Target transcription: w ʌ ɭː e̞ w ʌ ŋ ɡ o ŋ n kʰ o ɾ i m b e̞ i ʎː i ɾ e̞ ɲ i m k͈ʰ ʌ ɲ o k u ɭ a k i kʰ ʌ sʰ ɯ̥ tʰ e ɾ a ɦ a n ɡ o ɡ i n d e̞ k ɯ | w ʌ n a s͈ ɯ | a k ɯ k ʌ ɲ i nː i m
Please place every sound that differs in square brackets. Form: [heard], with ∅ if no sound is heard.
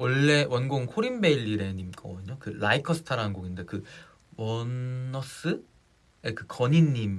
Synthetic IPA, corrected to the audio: w ʌ ɭː e̞ w ʌ [n] ɡ o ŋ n kʰ o ɾ i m b e̞ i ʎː i ɾ e̞ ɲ i m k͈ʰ ʌ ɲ o k [ɯ] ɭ a [∅] i kʰ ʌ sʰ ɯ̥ tʰ [a] ɾ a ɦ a n ɡ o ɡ i n d e̞ k ɯ | w ʌ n [ʌ] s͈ ɯ | [e] k ɯ k ʌ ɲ i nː i m

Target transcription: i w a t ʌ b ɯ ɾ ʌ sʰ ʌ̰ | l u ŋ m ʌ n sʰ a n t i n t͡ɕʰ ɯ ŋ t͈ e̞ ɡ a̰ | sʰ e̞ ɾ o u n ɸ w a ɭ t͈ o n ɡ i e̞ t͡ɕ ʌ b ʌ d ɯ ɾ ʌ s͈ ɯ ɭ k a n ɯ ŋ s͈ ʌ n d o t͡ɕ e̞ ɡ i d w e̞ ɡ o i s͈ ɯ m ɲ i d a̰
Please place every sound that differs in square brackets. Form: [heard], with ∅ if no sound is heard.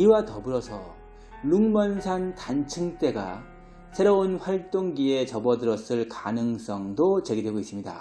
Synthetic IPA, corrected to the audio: i w a t ʌ b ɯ ɾ ʌ sʰ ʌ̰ | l u ŋ m ʌ n sʰ a n t [a] n t͡ɕʰ ɯ ŋ t͈ e̞ ɡ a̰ | sʰ e̞ ɾ o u n ɸ w a ɭ t͈ o [ŋ] ɡ i e̞ t͡ɕ ʌ b ʌ d ɯ ɾ ʌ s͈ ɯ ɭ k a n ɯ ŋ s͈ ʌ [ŋ] d o t͡ɕ e̞ ɡ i d w e̞ ɡ o i s͈ ɯ m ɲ i d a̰

